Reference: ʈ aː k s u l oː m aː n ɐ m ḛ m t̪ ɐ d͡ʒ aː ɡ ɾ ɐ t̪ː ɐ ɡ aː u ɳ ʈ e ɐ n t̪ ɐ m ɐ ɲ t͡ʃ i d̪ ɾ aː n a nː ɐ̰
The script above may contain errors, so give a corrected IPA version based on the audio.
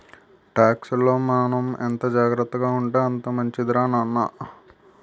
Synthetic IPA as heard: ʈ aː k s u l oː m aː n ɐ m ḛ n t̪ ɐ d͡ʒ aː ɡ ɾ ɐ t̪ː ɐ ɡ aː u ɳ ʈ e ɐ n t̪ ɐ m ɐ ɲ t͡ʃ i d̪ ɾ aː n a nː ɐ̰